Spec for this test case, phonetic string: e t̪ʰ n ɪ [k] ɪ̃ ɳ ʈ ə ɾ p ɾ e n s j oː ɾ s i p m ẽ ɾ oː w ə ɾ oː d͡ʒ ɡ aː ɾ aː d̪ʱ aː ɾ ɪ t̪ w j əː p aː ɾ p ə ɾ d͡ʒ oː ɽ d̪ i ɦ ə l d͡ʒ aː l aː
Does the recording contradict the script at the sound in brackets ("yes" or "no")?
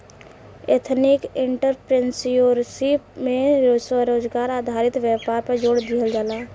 no